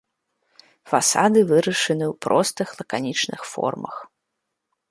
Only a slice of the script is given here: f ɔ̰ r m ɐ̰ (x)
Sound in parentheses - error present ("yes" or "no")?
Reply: no